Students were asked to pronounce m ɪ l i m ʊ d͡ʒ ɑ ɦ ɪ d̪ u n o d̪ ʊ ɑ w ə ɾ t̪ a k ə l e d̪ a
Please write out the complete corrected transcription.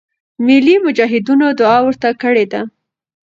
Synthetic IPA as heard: m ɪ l i m ʊ d͡ʒ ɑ ɦ ɪ d̪ u n o d̪ ʊ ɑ w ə ɾ t̪ a k ə ɽ e d̪ a